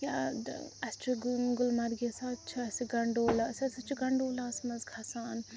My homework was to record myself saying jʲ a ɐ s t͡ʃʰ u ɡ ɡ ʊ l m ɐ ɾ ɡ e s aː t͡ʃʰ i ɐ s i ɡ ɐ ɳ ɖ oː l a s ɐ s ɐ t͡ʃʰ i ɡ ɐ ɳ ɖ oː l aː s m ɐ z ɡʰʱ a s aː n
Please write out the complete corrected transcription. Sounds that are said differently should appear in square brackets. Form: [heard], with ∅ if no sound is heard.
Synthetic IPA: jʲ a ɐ s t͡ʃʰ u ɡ ɡ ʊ l m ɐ ɾ ɡ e s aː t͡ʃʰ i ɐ s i ɡ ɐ ɳ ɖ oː l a s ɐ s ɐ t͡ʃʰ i ɡ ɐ ɳ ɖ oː l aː s m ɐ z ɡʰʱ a s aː n